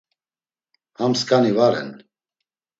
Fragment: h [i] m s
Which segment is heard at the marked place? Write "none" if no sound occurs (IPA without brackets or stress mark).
a